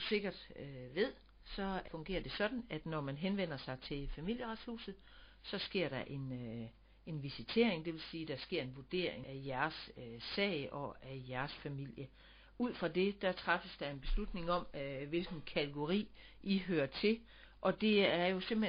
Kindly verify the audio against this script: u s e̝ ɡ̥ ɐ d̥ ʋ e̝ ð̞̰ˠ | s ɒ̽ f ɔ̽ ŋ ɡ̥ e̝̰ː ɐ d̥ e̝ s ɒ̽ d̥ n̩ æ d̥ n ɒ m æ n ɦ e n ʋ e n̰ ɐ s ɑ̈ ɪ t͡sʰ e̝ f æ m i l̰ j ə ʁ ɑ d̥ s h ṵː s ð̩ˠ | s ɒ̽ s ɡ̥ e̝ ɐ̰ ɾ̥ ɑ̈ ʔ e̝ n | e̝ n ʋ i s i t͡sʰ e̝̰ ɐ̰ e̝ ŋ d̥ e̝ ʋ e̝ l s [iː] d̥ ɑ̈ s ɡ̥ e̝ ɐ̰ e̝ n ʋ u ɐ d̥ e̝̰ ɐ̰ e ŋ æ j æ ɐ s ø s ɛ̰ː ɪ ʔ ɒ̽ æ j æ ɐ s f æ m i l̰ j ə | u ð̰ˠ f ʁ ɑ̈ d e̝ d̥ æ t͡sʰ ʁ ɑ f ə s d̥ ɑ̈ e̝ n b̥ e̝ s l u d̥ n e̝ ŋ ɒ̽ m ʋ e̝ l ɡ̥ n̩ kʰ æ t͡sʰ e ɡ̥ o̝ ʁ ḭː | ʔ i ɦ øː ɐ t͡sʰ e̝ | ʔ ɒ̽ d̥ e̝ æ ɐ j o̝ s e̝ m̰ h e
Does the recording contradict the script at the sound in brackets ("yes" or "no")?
no